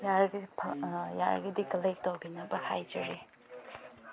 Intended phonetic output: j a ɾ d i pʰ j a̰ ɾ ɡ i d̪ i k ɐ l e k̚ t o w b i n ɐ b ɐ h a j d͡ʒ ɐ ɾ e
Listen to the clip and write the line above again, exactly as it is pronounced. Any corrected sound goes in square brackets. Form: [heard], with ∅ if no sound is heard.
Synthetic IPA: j a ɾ [ɡ] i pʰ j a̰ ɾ ɡ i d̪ i k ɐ l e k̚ t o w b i n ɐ b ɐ h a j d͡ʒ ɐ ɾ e

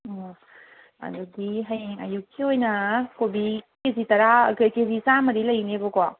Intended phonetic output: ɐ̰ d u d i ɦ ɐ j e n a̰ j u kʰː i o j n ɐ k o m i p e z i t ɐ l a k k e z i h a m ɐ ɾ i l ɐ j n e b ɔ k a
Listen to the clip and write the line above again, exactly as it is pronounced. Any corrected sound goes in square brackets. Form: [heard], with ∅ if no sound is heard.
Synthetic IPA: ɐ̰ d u d i ɦ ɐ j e [ŋ] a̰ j u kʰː i o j n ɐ k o [b] i [k] e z i t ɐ [ɾ] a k k e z i [s] a m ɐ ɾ i l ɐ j n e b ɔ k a

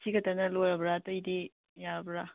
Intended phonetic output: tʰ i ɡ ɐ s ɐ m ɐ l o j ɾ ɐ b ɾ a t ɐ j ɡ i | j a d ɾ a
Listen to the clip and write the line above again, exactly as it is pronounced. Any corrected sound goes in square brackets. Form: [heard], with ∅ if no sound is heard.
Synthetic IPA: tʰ i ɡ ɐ [t] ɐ [n] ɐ l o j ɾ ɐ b ɾ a t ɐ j [d] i | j a [b] ɾ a

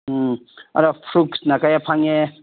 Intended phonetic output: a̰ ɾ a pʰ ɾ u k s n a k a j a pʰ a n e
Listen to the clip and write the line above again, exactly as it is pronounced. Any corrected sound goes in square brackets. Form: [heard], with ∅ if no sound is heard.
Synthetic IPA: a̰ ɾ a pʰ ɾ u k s n a k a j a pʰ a [ŋ] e

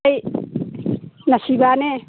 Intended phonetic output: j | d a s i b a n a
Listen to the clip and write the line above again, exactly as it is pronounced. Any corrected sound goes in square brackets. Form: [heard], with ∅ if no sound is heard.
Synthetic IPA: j | [n] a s i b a n [e]

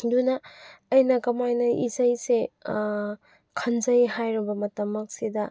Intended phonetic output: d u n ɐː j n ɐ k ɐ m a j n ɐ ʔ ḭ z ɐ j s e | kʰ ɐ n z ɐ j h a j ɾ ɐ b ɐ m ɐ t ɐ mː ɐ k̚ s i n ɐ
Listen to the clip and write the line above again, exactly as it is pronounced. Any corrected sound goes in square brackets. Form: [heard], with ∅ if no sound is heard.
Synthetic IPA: d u n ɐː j n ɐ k ɐ m a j n ɐ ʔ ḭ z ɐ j s e | kʰ ɐ n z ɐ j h a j ɾ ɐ b ɐ m ɐ t ɐ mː ɐ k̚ s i [d] ɐ

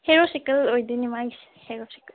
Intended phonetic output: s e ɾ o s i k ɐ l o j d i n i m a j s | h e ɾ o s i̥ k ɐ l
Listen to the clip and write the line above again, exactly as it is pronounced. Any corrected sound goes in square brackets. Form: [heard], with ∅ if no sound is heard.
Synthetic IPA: [h] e ɾ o s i k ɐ l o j d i n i m a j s | h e ɾ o s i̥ k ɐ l

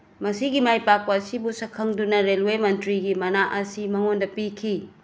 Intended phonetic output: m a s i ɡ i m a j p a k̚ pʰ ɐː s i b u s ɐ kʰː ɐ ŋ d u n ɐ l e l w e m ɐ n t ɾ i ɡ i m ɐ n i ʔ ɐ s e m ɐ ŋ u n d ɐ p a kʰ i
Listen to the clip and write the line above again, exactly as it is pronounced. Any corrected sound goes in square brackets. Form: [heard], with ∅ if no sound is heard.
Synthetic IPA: m [ɐ] s i ɡ i m a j p a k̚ [p] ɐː s i b u s ɐ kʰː ɐ ŋ d u n ɐ [ɾ] e l w e m ɐ n t ɾ i ɡ i m ɐ n [a] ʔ ɐ s [i] m ɐ ŋ [o] n d ɐ p [i] kʰ i

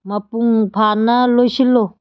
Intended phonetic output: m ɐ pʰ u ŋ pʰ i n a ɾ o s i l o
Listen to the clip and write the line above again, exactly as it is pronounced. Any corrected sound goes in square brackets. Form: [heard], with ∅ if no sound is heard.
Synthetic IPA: m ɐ [p] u ŋ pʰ [a] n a [l] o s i l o

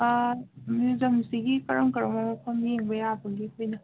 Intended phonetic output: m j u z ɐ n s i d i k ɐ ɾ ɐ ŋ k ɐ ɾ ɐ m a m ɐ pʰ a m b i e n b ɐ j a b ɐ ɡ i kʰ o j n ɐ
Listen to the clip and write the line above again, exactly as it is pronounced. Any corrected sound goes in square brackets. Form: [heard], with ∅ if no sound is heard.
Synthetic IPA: m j u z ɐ [m] s i [ɡ] i k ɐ ɾ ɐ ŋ k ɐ ɾ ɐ m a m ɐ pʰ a m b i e [ŋ] b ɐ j a b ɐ ɡ i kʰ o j n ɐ

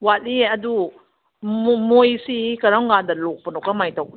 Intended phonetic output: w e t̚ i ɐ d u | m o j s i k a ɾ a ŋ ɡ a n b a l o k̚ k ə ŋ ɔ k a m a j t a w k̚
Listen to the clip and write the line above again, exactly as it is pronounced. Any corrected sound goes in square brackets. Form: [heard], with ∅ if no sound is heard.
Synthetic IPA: w [a] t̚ i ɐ d u | m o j s i k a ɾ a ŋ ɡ a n [d] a l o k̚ [p] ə [n] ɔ k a m a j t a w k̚

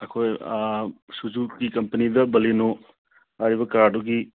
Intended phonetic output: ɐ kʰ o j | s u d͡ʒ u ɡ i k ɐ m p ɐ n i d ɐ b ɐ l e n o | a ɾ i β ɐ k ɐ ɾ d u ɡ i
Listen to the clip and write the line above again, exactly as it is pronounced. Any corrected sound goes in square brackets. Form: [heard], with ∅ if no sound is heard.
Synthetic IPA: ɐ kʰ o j | s u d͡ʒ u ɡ i k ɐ m p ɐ n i d ɐ b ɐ l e n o | a ɾ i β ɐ k [a] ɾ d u ɡ i

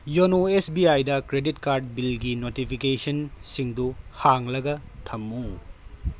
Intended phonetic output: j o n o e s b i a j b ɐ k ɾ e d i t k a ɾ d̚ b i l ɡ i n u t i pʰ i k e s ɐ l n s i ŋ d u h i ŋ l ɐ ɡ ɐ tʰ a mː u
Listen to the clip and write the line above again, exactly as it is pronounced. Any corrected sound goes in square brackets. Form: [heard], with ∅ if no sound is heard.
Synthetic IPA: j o n o e s b i a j [d] ɐ k ɾ e d i t k a ɾ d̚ b i l ɡ i n [o] t i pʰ i k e s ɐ [∅] n s i ŋ d u h [a] ŋ l ɐ ɡ ɐ tʰ [ɐ] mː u

